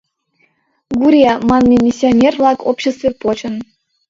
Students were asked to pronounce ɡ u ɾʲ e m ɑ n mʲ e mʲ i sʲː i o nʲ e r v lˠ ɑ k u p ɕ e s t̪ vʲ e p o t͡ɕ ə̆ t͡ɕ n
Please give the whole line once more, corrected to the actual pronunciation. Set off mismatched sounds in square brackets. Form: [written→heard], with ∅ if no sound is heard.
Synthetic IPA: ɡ u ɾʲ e m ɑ n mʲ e mʲ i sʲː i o nʲ e r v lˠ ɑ k [u→o] p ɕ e s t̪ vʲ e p o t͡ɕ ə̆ [t͡ɕ→∅] n